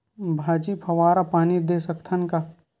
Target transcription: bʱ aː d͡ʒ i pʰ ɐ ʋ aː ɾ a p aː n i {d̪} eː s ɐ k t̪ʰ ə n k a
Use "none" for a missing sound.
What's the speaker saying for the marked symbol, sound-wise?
d̪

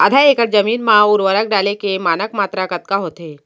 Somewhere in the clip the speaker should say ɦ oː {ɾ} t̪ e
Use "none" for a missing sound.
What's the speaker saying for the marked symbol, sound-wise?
none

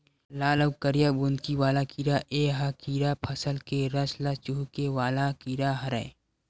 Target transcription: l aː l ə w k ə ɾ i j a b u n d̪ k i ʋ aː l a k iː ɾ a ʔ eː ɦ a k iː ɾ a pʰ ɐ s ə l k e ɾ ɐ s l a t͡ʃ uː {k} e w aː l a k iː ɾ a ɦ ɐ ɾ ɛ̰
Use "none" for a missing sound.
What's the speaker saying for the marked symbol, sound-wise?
k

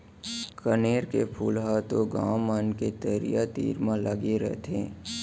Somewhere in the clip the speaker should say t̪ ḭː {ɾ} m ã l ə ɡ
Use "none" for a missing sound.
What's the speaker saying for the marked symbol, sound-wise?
ɾ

